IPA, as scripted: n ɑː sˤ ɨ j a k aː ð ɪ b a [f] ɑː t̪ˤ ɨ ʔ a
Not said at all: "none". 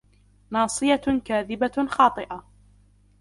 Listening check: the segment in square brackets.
x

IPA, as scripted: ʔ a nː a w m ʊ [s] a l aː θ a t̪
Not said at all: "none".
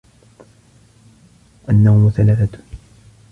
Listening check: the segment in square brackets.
θ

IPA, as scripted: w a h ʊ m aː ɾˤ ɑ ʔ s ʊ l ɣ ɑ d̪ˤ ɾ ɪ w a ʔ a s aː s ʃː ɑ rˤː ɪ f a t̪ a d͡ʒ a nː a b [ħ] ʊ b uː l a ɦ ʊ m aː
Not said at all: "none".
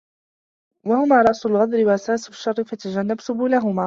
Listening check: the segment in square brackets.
s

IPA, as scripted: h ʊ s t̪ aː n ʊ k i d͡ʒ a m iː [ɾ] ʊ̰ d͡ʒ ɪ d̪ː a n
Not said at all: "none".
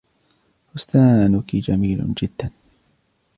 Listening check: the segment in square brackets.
l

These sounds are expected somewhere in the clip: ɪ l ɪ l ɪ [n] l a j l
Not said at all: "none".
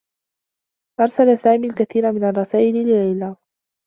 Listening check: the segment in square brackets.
none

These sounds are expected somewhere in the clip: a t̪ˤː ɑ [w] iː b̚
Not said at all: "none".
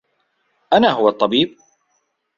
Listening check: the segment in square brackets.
b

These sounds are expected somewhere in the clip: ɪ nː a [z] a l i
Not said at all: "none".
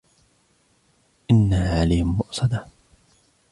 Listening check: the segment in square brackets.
ʕ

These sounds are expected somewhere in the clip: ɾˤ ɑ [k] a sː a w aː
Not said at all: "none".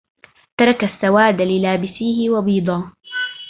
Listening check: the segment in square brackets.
k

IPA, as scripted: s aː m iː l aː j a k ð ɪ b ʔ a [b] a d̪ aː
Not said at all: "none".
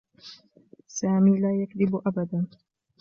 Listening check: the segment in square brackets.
b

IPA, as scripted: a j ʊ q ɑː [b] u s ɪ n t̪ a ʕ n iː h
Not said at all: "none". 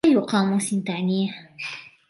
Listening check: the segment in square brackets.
m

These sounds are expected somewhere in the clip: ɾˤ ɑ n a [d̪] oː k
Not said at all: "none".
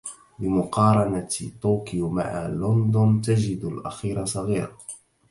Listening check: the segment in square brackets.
t̪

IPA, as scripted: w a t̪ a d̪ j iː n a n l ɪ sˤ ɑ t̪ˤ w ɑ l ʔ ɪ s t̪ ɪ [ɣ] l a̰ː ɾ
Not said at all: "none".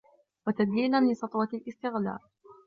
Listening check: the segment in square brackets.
ɣ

